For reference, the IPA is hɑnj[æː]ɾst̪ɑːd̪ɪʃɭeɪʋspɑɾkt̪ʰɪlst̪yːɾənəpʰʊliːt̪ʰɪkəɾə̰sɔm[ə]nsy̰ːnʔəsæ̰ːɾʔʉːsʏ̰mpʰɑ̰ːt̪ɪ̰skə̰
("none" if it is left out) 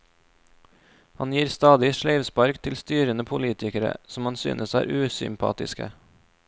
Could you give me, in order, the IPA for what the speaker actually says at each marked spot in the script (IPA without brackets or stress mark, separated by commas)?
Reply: iː, ɑ